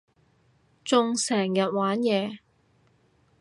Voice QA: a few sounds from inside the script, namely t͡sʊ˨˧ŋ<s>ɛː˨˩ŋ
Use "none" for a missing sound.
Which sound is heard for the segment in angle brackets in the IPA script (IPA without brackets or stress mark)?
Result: s